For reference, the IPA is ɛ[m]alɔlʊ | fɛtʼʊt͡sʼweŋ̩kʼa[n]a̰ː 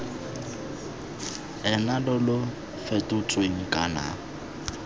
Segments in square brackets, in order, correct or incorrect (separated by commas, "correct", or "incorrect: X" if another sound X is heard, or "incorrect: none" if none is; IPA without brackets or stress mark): incorrect: n, correct